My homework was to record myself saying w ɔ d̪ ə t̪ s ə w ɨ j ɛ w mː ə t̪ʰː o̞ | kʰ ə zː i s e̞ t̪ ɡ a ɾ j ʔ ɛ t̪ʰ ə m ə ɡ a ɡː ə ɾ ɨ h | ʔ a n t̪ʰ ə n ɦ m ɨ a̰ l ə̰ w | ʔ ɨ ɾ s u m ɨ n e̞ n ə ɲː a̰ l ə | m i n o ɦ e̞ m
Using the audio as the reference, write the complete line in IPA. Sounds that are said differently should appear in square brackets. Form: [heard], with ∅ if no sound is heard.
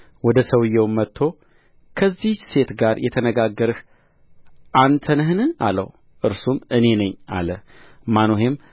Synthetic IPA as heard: w ɔ d̪ ə [∅] s ə w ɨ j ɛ w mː ə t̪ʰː o̞ | kʰ ə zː i s e̞ t̪ ɡ a ɾ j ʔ ɛ t̪ʰ ə [n] ə ɡ a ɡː ə ɾ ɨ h | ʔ a n t̪ʰ ə n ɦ [n] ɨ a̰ l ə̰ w | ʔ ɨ ɾ s u m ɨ n e̞ n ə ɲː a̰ l ə | m [a] n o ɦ e̞ m